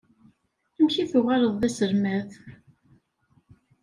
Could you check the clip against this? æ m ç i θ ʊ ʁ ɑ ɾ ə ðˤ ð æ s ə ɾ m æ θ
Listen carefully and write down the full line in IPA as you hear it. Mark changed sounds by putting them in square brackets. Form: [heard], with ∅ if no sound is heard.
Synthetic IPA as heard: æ m ç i θ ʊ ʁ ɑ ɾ ə ðˤ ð æ s ə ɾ m æ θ